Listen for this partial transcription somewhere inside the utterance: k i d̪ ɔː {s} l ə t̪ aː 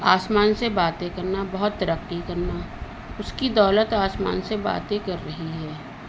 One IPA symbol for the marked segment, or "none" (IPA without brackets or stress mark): none